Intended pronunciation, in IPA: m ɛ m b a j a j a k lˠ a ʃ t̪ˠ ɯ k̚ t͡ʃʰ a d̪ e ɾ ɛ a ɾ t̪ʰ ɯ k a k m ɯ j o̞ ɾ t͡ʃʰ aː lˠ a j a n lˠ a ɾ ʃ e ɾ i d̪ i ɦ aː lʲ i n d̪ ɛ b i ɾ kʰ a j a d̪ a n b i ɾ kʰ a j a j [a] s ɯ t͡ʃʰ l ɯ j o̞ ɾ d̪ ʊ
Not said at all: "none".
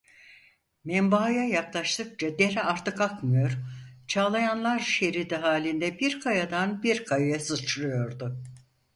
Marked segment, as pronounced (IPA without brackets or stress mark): a